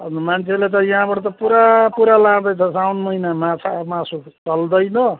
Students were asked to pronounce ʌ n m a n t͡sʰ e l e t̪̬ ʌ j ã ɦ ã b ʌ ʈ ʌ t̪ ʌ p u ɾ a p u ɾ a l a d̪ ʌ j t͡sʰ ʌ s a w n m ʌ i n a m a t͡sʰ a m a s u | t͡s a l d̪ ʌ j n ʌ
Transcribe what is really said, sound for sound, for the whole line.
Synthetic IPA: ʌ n m a n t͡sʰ e l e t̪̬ ʌ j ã ɦ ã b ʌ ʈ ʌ t̪ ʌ p u ɾ a p u ɾ a l a d̪ ʌ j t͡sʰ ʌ s a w n m ʌ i n a m a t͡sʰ a m a s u | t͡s ʌ l d̪ ʌ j n ʌ